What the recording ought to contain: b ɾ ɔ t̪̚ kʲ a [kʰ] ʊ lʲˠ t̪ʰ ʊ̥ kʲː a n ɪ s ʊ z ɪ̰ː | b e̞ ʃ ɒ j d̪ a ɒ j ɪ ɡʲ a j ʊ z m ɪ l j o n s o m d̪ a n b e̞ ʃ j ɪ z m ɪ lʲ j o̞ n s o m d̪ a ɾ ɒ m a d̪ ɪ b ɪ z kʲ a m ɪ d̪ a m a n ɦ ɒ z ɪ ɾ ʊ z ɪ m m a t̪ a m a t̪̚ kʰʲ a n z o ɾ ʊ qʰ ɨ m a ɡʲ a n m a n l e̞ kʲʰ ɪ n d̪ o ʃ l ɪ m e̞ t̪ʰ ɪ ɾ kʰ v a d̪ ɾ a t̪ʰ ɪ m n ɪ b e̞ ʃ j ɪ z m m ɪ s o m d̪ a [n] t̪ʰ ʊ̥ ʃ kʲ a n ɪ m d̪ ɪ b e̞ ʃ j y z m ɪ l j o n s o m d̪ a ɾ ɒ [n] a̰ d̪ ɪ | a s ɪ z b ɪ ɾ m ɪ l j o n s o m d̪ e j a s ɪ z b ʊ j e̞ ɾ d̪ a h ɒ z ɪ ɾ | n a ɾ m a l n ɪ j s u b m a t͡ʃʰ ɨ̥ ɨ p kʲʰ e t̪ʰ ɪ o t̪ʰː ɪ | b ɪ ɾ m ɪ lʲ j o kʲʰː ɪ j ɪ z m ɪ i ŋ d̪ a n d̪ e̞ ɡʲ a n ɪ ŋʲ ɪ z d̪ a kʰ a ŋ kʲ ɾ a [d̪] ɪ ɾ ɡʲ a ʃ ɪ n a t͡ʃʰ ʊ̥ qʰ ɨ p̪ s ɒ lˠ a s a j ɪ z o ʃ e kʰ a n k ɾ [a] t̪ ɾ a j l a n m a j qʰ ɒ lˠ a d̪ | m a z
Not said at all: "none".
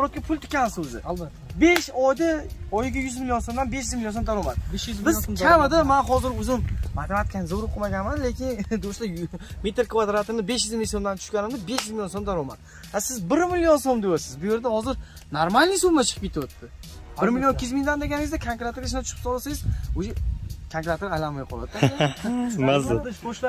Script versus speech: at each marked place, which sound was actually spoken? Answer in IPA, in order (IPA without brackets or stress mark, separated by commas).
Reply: pʰ, n, m, t̪, a